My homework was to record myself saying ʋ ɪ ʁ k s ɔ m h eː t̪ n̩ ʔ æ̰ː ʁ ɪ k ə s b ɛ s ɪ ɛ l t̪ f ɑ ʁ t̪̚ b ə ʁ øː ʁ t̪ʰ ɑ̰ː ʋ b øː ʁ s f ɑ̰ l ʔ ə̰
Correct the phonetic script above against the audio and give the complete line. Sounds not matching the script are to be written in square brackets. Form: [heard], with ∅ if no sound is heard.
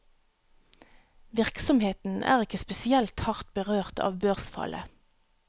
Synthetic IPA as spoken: ʋ ɪ ʁ k s ɔ m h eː t̪ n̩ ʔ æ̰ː ʁ ɪ k ə s [p] ɛ s ɪ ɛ l t̪ [h] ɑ ʁ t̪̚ b ə ʁ øː ʁ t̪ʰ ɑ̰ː ʋ b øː ʁ s f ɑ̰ l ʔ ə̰